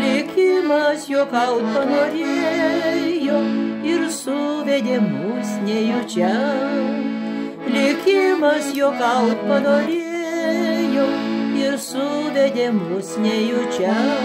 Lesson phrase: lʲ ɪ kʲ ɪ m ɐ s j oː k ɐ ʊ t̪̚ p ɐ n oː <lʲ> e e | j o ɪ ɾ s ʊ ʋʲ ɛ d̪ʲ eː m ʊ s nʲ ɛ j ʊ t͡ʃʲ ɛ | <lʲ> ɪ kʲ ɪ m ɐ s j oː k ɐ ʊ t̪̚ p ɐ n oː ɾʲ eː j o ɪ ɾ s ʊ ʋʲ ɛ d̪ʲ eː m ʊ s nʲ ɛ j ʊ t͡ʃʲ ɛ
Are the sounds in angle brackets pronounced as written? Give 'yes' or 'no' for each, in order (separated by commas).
no, yes